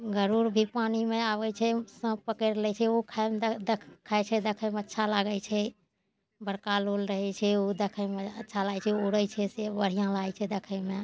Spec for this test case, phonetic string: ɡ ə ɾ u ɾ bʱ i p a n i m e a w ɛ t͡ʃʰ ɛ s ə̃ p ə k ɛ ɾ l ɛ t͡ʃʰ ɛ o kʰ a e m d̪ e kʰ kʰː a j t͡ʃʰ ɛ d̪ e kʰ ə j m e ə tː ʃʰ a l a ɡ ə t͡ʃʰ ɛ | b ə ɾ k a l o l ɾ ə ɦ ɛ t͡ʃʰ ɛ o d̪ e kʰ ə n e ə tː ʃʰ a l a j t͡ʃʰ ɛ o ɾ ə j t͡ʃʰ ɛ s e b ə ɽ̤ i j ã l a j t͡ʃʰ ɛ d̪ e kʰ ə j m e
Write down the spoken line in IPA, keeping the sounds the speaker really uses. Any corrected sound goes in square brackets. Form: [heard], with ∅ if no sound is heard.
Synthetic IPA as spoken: ɡ ə ɾ u ɾ bʱ i p a n i m e a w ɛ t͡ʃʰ ɛ s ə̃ p ə k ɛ ɾ l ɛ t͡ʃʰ ɛ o kʰ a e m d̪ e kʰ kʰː a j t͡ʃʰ ɛ d̪ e kʰ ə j m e ə tː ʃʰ a l a ɡ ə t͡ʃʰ ɛ | b ə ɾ k a l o l ɾ ə ɦ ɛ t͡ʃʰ ɛ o d̪ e kʰ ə [m] e ə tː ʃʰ a l a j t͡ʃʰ ɛ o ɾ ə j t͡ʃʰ ɛ s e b ə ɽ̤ i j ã l a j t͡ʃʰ ɛ d̪ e kʰ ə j m e